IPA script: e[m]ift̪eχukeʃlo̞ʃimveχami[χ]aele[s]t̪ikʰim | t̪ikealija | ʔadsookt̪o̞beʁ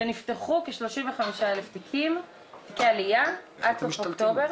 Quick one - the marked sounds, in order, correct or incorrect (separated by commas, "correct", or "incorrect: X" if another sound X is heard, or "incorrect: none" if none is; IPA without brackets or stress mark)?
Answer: incorrect: n, incorrect: ʃ, incorrect: f